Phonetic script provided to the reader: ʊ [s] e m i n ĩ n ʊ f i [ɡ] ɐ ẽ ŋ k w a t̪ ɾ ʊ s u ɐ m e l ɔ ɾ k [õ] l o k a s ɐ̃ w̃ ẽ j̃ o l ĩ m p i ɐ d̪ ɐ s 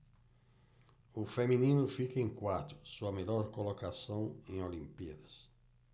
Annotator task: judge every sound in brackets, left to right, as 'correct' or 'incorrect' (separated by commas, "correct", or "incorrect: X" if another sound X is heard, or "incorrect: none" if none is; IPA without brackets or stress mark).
incorrect: f, incorrect: k, incorrect: o